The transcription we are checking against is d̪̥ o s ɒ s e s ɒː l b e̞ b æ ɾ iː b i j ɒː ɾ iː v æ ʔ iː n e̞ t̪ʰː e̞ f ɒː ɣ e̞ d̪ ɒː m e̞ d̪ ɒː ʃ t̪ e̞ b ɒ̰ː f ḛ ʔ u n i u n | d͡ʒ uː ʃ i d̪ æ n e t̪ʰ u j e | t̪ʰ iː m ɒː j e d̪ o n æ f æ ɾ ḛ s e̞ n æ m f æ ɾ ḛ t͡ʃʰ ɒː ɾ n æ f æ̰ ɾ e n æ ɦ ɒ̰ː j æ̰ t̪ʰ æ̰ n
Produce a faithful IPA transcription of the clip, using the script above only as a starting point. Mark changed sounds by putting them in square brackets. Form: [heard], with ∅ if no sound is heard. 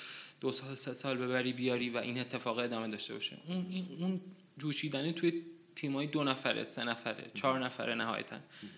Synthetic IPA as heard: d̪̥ o s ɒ s e s ɒː l b e̞ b æ ɾ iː b i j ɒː ɾ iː v æ ʔ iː n e̞ t̪ʰː e̞ f ɒː ɣ e̞ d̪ ɒː m e̞ d̪ ɒː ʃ t̪ e̞ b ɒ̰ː [ʃ] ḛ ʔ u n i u n | d͡ʒ uː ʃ [iː] d̪ æ n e t̪ʰ u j e | t̪ʰ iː m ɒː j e d̪ o n æ f æ ɾ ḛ s e̞ n æ [∅] f æ ɾ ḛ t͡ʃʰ ɒː ɾ n æ f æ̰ ɾ e n æ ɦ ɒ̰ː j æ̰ t̪ʰ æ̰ n